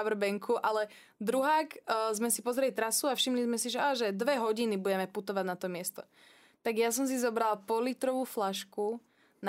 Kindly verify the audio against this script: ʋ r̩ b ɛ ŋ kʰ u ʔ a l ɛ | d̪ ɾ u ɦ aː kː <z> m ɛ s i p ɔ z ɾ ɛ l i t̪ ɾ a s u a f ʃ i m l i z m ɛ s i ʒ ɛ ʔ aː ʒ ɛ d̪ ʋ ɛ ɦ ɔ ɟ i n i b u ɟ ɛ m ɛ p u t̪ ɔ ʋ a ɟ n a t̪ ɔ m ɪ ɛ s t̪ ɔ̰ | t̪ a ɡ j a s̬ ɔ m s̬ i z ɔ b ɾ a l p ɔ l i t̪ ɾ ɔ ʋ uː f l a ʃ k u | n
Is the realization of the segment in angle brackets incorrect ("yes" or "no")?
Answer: no